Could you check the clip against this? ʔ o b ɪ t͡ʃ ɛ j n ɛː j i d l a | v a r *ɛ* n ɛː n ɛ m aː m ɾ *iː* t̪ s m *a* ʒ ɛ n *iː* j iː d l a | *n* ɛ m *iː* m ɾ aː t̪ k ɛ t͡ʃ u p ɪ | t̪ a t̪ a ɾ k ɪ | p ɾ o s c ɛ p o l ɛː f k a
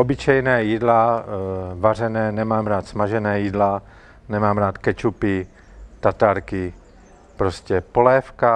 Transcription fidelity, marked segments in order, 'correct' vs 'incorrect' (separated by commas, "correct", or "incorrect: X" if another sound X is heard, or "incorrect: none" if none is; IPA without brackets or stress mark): correct, incorrect: aː, correct, incorrect: ɛː, correct, incorrect: aː